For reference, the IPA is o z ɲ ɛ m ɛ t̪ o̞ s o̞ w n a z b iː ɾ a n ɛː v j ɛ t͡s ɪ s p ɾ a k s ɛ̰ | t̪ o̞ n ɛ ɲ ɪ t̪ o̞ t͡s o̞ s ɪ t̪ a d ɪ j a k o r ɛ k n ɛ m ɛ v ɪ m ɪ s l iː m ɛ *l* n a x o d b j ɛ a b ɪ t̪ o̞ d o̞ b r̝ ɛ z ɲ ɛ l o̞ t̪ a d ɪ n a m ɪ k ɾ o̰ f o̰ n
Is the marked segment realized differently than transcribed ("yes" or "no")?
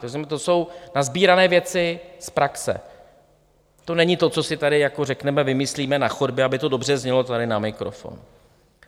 yes